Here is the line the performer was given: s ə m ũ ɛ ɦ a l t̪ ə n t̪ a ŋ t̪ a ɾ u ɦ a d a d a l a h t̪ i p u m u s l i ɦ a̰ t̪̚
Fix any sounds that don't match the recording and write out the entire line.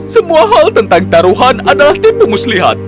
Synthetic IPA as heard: s ə m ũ a ɦ a l t̪ ə n t̪ a ŋ t̪ a ɾ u ɦ a n a d a l a h t̪ i p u m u s l i ɦ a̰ t̪̚